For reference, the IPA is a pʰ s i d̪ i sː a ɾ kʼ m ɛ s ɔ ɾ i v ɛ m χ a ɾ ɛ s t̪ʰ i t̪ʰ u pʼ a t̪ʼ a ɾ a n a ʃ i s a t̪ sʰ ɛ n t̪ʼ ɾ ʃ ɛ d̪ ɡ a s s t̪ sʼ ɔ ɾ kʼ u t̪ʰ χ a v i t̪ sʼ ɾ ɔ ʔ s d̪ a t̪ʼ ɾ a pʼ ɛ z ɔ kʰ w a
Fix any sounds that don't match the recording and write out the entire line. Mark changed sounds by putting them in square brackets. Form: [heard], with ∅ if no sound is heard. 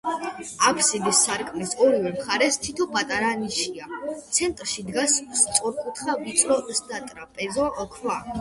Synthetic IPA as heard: a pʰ s i d̪ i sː a ɾ kʼ m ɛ s ɔ ɾ i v ɛ m χ a ɾ ɛ s t̪ʰ i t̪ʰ [ɔ] pʼ a t̪ʼ a ɾ a n [i] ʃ i [∅] a t̪ sʰ ɛ n t̪ʼ ɾ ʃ [i] d̪ ɡ a s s t̪ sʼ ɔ ɾ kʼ u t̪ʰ χ a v i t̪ sʼ ɾ ɔ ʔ s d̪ a t̪ʼ ɾ a pʼ ɛ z ɔ kʰ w a